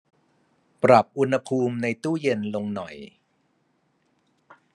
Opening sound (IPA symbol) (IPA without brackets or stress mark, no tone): p